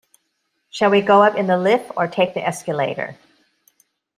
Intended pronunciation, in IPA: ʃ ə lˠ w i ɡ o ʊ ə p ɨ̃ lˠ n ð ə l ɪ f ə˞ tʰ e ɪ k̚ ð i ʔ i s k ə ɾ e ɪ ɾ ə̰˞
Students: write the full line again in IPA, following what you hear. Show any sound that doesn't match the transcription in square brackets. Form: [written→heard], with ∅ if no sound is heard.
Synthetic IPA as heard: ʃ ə lˠ w i ɡ o ʊ [ə→ʌ] p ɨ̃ [lˠ→∅] n ð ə l ɪ f ə˞ tʰ e ɪ k̚ ð i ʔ [i→ɛ] s k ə [ɾ→l] e ɪ ɾ ə̰˞

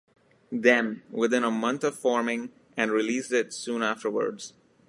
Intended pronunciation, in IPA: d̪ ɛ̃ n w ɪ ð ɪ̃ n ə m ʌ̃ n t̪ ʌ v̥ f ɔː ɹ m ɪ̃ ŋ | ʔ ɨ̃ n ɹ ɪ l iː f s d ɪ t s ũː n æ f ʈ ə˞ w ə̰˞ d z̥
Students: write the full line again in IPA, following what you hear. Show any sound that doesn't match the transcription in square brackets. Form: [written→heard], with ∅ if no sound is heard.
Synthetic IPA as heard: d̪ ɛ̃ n w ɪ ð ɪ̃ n ə m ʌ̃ n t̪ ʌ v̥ f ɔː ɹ m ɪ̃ ŋ | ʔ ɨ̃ n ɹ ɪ l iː [f→∅] s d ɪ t s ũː n æ f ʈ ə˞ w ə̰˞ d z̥

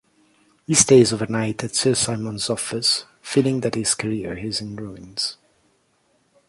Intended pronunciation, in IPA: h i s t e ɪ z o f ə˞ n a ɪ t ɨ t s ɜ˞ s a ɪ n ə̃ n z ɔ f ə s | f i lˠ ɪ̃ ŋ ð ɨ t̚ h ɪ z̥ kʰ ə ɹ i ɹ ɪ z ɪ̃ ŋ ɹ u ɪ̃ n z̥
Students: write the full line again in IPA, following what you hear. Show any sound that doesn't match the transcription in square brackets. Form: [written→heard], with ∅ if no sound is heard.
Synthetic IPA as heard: h i s t e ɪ z o [f→v] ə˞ n a ɪ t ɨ t s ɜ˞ s a ɪ [n→m] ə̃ n z ɔ f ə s | f i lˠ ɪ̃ ŋ ð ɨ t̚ h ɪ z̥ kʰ ə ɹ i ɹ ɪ z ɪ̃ [ŋ→n] ɹ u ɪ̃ n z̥

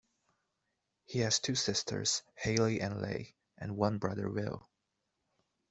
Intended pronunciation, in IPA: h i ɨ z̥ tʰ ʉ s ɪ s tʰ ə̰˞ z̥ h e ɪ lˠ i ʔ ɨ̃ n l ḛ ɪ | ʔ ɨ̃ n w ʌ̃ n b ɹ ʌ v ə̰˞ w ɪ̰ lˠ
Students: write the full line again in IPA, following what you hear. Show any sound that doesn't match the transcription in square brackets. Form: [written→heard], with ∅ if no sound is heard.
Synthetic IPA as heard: h i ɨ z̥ tʰ ʉ s ɪ s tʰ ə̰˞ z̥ h e ɪ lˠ i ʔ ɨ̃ n l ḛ ɪ | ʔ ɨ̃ n w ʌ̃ n b ɹ ʌ [v→ð] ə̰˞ w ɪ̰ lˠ

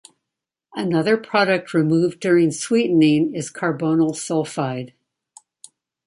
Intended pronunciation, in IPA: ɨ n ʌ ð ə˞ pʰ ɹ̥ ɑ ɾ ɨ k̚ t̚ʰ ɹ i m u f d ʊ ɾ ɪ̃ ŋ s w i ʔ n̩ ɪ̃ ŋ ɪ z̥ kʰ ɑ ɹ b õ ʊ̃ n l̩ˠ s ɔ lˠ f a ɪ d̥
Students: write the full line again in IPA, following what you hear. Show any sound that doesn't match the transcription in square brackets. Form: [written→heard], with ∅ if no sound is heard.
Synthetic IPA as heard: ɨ n ʌ ð ə˞ pʰ ɹ̥ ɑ ɾ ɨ k̚ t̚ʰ ɹ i m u [f→v] d ʊ [ɾ→ɹ] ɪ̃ ŋ s w i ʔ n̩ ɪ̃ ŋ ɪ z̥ kʰ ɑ ɹ b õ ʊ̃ n l̩ˠ s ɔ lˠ f a ɪ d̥

